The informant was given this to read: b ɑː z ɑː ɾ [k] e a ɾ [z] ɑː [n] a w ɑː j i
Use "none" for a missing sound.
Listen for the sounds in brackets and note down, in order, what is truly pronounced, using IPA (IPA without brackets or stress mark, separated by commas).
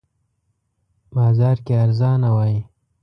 k, z, n